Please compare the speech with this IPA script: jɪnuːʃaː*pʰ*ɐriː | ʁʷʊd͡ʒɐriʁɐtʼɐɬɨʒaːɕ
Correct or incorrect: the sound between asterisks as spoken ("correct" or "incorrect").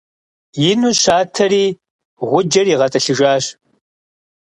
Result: incorrect